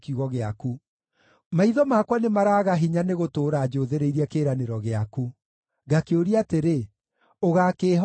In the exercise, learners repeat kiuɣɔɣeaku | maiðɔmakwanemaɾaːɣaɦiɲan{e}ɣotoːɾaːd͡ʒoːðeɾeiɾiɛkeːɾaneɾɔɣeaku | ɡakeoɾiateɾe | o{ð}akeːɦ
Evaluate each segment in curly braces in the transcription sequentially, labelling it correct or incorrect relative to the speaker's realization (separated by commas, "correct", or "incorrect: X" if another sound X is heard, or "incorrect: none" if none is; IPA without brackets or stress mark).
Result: correct, incorrect: ɣ